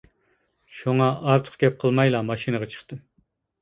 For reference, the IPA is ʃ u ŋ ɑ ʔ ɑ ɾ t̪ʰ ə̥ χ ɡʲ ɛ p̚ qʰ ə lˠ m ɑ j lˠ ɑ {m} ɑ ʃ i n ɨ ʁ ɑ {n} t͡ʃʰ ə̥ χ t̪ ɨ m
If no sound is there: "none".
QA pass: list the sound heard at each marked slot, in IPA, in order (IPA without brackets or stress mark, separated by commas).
m, none